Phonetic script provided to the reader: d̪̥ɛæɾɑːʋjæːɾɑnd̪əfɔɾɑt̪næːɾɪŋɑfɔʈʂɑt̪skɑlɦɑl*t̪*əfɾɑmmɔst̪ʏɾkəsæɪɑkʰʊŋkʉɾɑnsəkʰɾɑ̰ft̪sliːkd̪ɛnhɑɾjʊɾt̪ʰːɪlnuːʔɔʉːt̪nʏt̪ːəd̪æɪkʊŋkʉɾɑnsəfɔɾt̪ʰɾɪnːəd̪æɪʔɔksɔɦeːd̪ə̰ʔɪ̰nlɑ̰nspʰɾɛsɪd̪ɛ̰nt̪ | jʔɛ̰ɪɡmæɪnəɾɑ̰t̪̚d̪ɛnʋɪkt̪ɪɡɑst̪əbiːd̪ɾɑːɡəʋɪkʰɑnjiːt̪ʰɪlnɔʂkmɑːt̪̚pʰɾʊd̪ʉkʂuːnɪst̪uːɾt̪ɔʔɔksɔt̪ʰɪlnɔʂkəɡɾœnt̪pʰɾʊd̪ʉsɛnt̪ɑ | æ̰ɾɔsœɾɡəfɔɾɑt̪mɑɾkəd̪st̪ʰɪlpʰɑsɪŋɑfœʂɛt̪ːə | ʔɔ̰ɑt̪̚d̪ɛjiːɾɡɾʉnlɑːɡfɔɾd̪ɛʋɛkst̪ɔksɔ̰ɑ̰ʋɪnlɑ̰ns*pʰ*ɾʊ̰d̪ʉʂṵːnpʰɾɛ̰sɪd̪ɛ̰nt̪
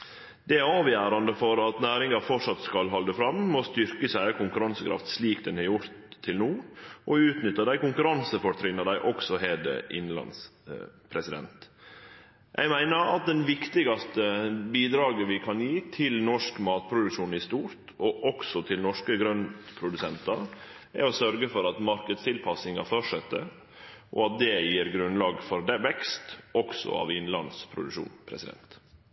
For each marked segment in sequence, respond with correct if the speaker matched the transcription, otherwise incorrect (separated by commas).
incorrect, correct